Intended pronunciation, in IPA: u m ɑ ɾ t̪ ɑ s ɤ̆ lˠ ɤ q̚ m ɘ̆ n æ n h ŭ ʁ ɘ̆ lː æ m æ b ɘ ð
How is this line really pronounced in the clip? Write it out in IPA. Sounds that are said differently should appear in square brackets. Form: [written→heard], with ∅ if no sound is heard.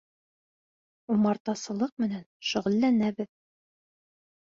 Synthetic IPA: u m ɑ ɾ t̪ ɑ s ɤ̆ lˠ ɤ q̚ m ɘ̆ n æ n [h→ʃ] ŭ ʁ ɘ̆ lː æ [m→n] æ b ɘ ð

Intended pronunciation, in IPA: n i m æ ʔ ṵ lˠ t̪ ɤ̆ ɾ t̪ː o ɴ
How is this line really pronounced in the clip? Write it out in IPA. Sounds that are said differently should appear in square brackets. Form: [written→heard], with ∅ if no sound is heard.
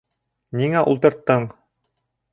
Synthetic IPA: n i [m→ŋ] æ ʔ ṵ lˠ t̪ ɤ̆ ɾ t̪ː [o→ɤ] ɴ

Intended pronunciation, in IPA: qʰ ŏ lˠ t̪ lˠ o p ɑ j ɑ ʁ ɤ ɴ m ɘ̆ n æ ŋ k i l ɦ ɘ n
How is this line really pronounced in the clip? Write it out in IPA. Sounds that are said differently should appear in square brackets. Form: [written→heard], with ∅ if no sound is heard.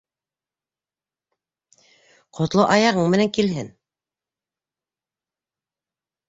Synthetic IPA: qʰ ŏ [lˠ→∅] t̪ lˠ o [p→ʔ] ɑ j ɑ ʁ ɤ ɴ m ɘ̆ n æ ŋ k i l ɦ ɘ n

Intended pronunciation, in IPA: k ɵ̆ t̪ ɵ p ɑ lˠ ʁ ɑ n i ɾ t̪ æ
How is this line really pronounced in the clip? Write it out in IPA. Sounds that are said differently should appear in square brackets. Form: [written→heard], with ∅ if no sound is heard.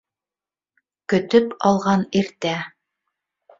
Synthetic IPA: k ɵ̆ t̪ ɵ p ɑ lˠ ʁ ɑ n i ɾ t̪ æ

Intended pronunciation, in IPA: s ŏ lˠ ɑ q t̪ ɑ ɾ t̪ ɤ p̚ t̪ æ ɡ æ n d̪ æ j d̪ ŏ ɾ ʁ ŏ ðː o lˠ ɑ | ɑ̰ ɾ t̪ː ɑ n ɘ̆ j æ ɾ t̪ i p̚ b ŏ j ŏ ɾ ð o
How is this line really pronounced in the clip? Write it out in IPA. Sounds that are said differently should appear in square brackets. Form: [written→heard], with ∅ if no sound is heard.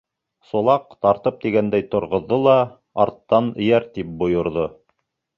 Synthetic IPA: s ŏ lˠ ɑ q t̪ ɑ ɾ t̪ ɤ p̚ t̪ [æ→i] ɡ æ n d̪ æ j [d̪→t̪] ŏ ɾ ʁ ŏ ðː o lˠ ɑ | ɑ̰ ɾ t̪ː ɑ n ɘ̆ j æ ɾ t̪ i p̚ b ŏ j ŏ ɾ ð o

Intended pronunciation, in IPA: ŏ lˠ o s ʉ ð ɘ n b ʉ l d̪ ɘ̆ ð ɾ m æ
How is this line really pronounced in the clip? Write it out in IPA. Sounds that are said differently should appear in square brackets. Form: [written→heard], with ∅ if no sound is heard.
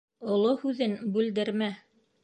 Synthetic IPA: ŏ lˠ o [s→h] ʉ ð ɘ n b ʉ l d̪ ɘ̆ [ð→∅] ɾ m æ

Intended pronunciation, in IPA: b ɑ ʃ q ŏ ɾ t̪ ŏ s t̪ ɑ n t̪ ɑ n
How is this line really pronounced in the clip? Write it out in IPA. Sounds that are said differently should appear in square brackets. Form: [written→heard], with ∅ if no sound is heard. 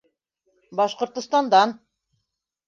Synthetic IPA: b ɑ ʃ q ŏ ɾ t̪ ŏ s t̪ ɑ n [t̪→d̪] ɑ n

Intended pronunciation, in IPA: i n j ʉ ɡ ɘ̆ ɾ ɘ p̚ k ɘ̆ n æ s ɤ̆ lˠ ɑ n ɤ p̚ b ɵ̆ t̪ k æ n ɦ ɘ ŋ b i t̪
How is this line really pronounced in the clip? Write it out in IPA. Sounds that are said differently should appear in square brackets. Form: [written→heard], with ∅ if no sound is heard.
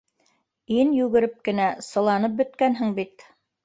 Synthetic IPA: i n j ʉ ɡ ɘ̆ ɾ ɘ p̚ k ɘ̆ n æ s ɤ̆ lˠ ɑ n ɤ p̚ b ɵ̆ t̪ k æ n ɦ ɘ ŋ b i t̪

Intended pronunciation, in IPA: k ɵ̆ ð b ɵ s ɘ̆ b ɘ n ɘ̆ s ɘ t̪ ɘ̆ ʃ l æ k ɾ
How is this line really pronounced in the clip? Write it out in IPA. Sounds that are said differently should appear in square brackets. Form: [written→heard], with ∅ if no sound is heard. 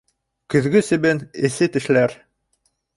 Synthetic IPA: k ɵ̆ ð [b→ɡ] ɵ s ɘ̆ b ɘ n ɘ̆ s ɘ t̪ ɘ̆ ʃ l æ [k→∅] ɾ

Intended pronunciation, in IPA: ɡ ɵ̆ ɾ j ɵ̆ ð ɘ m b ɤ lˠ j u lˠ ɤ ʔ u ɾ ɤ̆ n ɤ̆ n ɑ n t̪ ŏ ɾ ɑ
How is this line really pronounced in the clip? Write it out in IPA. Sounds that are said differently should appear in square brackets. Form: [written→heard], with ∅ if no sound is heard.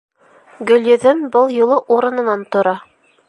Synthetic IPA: ɡ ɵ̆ [ɾ→l] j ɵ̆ ð ɘ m b ɤ lˠ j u lˠ ɤ ʔ u ɾ ɤ̆ n ɤ̆ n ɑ n t̪ ŏ ɾ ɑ

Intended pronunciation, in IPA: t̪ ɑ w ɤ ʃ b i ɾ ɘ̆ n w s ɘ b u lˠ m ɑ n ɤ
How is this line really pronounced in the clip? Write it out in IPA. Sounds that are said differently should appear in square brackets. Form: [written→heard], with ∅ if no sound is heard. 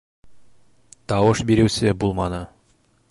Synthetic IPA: t̪ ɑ w ɤ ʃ b i ɾ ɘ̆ [n→∅] w s ɘ b u lˠ m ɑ n ɤ

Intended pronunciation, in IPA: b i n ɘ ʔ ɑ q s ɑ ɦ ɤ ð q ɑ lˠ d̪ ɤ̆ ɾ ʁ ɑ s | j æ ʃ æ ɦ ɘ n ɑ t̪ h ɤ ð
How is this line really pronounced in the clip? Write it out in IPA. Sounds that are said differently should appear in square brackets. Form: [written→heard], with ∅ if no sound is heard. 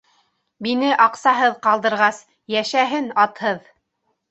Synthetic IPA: b i n ɘ ʔ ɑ q s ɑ ɦ ɤ ð q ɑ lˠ d̪ ɤ̆ ɾ ʁ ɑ s | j æ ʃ æ ɦ ɘ n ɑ t̪ h ɤ ð

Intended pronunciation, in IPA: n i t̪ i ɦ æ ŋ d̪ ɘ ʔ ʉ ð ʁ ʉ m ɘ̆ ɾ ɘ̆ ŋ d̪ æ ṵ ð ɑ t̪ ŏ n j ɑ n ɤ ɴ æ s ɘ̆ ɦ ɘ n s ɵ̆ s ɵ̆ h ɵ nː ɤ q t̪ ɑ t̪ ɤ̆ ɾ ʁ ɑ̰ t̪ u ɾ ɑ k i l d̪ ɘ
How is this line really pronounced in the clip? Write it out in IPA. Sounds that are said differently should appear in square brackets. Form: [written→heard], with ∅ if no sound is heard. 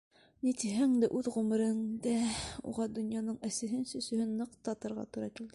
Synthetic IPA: n i t̪ i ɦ æ ŋ d̪ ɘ ʔ ʉ ð ʁ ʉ m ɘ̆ ɾ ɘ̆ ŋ d̪ æ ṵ [ð→ʁ] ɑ [t̪→d̪] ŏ n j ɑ n ɤ ɴ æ s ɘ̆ ɦ ɘ n s ɵ̆ s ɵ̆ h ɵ nː ɤ q t̪ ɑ t̪ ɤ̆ ɾ ʁ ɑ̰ t̪ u ɾ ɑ k i l d̪ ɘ

